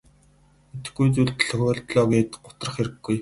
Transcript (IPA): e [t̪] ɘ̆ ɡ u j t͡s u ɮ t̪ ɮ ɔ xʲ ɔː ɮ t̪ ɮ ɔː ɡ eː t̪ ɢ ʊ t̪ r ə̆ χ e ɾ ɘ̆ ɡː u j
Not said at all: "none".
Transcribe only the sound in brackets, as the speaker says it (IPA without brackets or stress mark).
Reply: t̪